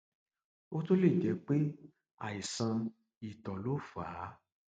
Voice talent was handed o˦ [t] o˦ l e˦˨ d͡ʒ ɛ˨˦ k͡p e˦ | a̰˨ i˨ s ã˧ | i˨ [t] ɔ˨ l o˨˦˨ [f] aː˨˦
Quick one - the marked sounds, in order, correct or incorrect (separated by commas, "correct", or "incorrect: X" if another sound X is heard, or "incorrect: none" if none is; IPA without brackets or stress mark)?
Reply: correct, correct, correct